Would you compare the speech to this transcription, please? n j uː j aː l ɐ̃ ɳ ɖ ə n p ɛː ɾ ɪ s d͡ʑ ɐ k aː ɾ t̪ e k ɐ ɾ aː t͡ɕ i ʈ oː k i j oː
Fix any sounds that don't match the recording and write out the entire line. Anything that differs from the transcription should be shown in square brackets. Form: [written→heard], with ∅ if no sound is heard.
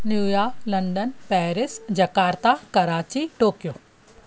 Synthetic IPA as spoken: n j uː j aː l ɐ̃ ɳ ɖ ə n p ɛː ɾ ɪ s d͡ʑ ɐ k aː ɾ t̪ [e→a] k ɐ ɾ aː t͡ɕ i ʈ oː k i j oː